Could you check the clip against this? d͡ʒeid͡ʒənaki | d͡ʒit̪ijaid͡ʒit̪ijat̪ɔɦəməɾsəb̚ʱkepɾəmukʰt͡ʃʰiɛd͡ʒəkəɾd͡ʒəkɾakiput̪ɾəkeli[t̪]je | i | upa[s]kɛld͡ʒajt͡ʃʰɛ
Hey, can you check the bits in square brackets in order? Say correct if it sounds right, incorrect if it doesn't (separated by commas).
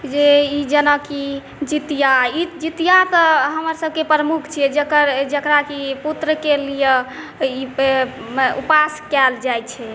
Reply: incorrect, correct